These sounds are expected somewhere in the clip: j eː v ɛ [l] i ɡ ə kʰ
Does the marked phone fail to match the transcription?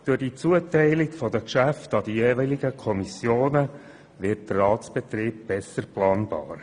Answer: no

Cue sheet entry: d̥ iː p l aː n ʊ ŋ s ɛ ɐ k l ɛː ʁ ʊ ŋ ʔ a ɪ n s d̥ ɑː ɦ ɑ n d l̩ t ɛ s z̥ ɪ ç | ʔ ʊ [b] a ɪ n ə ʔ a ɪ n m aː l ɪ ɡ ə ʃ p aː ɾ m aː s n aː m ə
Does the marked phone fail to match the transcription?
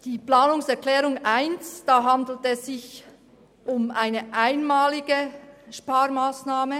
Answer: yes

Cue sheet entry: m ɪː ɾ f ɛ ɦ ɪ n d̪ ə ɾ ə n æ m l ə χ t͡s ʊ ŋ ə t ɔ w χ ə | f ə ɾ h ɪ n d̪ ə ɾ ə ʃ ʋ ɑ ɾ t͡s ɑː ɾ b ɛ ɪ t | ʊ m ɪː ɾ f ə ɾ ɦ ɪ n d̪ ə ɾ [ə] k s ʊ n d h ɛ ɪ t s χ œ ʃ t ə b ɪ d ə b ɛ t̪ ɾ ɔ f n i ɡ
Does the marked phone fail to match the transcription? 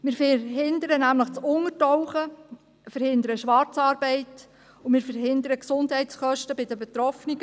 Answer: no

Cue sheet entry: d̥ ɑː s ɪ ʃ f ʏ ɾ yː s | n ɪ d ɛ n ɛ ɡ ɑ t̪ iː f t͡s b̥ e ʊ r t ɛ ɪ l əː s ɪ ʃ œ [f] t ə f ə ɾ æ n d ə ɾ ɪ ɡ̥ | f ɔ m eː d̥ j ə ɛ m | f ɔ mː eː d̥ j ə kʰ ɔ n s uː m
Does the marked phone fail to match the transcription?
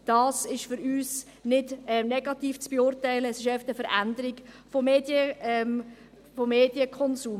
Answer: no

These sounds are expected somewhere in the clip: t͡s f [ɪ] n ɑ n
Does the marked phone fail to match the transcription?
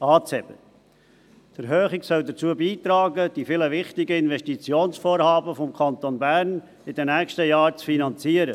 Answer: yes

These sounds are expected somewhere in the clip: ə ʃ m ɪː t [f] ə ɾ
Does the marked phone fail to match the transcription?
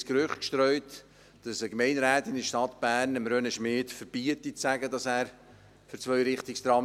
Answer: no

